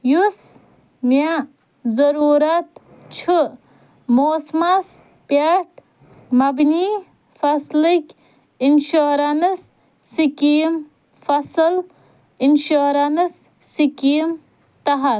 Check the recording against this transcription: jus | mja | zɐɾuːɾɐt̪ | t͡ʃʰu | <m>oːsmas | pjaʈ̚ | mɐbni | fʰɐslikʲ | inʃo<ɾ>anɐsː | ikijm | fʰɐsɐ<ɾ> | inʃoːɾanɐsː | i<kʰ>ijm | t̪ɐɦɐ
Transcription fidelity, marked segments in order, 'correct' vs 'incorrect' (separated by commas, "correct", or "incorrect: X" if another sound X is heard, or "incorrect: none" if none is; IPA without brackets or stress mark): correct, correct, incorrect: l, incorrect: k